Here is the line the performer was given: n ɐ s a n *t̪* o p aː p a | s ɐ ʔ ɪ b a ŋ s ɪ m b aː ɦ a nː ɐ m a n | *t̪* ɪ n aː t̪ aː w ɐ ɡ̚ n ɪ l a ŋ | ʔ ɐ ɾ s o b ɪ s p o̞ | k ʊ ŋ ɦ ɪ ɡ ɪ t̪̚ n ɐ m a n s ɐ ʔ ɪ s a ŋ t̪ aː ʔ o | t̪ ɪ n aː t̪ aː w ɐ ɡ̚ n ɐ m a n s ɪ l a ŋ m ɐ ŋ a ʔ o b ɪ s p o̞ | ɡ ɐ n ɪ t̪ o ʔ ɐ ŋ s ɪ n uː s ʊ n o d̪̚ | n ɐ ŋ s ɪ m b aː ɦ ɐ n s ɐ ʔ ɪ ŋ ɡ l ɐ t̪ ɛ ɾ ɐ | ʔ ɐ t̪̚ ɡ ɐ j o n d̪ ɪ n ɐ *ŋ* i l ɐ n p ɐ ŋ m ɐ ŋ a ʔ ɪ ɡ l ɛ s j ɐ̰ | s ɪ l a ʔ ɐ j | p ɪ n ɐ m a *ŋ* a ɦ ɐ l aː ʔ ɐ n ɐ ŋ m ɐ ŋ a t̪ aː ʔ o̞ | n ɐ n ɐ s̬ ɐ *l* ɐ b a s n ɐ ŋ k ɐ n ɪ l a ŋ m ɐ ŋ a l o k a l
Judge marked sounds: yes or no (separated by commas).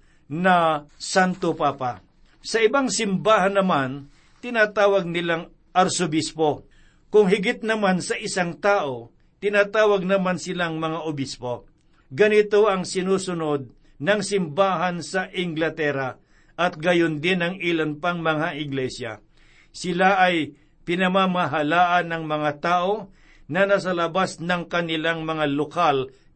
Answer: yes, yes, yes, no, yes